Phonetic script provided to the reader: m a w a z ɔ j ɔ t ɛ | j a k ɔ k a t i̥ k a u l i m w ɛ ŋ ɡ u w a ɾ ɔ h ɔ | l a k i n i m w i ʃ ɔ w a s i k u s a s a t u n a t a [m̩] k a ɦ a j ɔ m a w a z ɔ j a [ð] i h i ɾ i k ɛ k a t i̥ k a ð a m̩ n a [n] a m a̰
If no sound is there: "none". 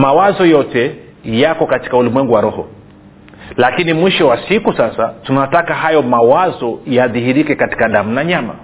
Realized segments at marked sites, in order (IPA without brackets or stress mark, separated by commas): none, ð, ɲ